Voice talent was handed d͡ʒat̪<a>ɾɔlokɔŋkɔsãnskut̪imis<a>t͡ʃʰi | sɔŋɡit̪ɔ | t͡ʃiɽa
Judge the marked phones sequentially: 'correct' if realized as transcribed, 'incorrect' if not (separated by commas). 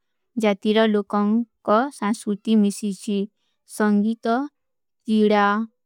incorrect, incorrect